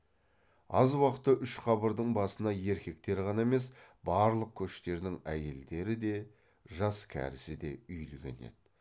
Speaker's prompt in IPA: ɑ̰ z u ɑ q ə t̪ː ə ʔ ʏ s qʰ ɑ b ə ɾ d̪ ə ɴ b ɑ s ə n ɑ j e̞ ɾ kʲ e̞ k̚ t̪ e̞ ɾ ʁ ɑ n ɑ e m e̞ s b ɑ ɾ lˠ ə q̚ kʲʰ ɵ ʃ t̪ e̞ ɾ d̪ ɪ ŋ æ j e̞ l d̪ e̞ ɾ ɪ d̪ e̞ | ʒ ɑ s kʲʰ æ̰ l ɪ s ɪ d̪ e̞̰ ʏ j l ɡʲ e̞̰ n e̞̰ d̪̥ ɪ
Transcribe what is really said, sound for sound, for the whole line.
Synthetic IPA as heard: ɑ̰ z w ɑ q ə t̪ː ə ʔ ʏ ʃ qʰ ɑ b ə ɾ d̪ ə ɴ b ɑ s ə n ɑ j e̞ ɾ kʲ e̞ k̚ t̪ e̞ ɾ ʁ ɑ n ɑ e m e̞ s b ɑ ɾ lˠ ə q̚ kʲʰ ɵ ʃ t̪ e̞ ɾ d̪ ɪ ŋ æ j e̞ l d̪ e̞ ɾ ɪ d̪ e̞ | ʒ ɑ s kʲʰ æ̰ ɾ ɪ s ɪ d̪ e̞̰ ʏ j l ɡʲ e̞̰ n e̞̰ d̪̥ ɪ